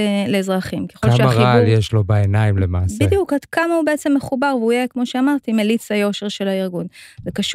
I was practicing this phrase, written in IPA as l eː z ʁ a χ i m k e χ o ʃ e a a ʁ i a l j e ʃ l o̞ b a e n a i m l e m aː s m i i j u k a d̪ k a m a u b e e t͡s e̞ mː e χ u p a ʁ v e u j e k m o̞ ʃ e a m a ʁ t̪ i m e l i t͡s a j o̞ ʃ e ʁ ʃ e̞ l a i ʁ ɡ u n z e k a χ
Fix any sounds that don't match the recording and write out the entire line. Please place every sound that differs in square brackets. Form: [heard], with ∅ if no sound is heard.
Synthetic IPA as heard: l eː z ʁ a χ i m k e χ o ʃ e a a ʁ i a l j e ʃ l o̞ b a e n a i m l e m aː s [b] i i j u k a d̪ k a m a u b e e t͡s e̞ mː e χ u [b] a ʁ v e u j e k m o̞ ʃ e a m a ʁ t̪ i m e l i t͡s a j o̞ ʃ e ʁ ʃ e̞ l a i ʁ ɡ u n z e k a [ʃ]